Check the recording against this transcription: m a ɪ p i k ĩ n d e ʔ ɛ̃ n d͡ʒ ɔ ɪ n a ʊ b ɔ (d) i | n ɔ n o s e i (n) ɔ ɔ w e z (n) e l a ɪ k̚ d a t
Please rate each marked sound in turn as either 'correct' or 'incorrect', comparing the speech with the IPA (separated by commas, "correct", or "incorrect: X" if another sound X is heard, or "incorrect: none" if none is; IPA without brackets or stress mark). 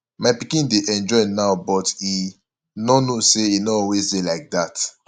incorrect: t, correct, incorrect: d